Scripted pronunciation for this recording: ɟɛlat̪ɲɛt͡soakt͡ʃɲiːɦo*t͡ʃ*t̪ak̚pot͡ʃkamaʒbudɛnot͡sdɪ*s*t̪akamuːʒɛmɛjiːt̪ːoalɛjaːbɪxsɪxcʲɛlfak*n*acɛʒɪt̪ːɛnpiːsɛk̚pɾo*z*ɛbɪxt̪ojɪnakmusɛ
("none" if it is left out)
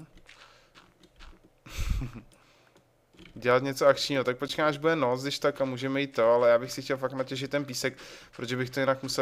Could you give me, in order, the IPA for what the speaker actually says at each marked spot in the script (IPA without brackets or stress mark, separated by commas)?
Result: none, ʃ, n, ʒ